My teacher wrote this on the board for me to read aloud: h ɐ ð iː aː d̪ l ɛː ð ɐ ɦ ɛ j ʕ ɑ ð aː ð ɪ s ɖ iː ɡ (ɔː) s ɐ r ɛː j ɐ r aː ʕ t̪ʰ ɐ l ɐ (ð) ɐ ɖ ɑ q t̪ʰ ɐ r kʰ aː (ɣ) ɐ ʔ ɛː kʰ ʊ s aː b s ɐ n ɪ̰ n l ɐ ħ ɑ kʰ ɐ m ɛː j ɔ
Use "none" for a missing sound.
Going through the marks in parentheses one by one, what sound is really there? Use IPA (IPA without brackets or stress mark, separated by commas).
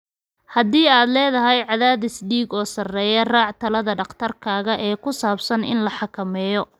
ɔː, ð, ɣ